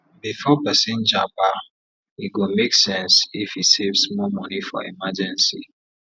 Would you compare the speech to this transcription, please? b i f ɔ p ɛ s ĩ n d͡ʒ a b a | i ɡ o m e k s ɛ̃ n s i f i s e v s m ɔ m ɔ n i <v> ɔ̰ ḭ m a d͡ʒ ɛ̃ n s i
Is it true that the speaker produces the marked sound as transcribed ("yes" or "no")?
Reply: no